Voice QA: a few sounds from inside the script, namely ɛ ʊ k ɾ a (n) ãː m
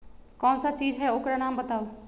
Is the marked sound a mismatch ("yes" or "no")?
no